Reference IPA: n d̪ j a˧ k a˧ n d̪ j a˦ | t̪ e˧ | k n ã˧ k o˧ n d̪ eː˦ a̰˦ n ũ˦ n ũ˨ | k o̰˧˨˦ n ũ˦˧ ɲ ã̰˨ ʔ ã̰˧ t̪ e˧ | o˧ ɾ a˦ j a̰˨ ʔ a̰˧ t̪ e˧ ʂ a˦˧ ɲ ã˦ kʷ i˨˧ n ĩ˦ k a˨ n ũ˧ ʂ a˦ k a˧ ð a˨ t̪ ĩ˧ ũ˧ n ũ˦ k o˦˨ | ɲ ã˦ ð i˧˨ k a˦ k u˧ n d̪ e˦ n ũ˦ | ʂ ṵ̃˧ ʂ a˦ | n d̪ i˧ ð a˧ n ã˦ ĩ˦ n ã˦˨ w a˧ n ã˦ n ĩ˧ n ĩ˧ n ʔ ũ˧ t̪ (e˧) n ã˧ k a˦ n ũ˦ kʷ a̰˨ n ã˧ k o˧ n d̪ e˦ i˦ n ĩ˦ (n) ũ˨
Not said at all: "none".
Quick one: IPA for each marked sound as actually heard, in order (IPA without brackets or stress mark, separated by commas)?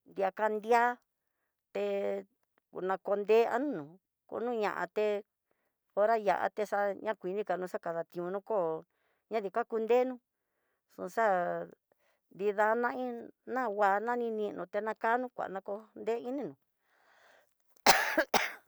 e˧, n